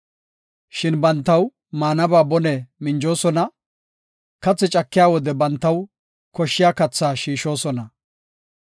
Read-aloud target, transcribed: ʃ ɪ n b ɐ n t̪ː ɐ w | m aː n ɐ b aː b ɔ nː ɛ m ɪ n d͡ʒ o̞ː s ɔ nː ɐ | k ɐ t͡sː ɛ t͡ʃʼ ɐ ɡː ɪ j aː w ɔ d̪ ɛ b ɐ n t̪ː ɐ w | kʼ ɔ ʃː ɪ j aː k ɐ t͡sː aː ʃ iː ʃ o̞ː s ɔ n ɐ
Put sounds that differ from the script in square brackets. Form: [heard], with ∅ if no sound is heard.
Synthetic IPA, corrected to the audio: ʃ ɪ n b ɐ n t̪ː ɐ w | m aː n ɐ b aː b ɔ [n] ɛ m ɪ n d͡ʒ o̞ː s ɔ [n] ɐ | k ɐ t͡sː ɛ t͡ʃʼ ɐ [kː] ɪ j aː w ɔ d̪ ɛ b ɐ n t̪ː ɐ w | [k] ɔ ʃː ɪ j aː k ɐ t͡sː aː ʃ iː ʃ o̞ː s ɔ n ɐ